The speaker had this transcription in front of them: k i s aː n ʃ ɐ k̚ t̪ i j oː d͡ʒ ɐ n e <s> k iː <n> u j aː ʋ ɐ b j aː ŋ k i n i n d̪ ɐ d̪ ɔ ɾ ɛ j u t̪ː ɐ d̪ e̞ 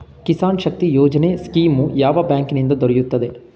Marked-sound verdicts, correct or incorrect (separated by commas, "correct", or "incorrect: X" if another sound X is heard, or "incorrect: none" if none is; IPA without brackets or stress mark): correct, incorrect: m